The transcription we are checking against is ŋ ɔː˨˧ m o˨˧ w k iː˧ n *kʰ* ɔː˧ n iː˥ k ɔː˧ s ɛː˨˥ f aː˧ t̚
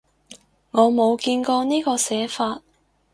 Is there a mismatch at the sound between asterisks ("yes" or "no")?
yes